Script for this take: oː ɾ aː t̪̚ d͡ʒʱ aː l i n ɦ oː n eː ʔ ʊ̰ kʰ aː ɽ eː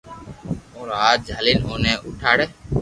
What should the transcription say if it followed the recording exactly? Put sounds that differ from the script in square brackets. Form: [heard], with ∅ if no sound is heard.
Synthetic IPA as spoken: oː ɾ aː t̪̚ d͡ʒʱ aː l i n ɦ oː n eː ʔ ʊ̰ [ʈʰ] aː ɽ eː